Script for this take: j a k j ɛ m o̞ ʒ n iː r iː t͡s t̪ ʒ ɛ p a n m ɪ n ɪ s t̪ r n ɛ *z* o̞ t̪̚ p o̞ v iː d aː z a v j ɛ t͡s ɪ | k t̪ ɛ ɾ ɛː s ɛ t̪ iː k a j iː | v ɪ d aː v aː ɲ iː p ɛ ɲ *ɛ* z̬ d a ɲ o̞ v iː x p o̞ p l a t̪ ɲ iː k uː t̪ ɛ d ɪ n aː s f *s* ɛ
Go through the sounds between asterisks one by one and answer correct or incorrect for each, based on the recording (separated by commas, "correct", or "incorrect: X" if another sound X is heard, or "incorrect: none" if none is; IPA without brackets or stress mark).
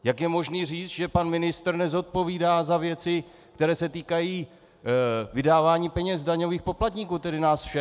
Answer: correct, correct, incorrect: ʃ